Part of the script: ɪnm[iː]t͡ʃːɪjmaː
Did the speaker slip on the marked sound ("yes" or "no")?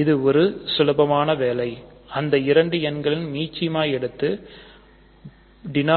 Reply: no